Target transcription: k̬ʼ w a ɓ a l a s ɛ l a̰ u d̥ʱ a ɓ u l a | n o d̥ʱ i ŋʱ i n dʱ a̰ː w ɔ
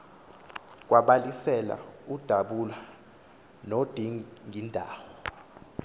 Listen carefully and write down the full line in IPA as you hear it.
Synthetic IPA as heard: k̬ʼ w a ɓ a l i s ɛ l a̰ u d̥ʱ a ɓ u l a | n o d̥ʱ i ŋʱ i n dʱ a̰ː w ɔ